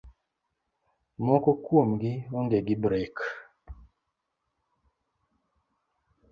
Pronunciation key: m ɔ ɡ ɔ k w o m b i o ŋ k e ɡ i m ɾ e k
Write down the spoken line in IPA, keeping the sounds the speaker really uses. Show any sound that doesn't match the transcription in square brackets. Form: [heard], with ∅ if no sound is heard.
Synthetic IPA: m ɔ [k] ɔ k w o m [ɡ] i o ŋ [ɡ] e ɡ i [b] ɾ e k